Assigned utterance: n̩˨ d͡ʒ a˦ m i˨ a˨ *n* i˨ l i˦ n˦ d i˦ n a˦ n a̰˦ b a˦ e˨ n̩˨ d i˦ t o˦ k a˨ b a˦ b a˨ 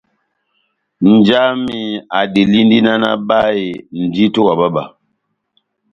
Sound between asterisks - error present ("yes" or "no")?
yes